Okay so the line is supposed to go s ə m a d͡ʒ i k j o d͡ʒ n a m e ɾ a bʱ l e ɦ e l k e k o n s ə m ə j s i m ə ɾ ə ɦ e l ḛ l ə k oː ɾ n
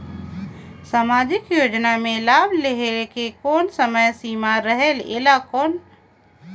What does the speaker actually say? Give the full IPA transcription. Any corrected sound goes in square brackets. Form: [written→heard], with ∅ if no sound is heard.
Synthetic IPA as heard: s [ə→a] m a d͡ʒ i k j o d͡ʒ n a m e [ɾ→l] a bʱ l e ɦ e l k e k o n s ə m ə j s i m [ə→a] ɾ ə ɦ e l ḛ l [ə→a] k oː [ɾ→∅] n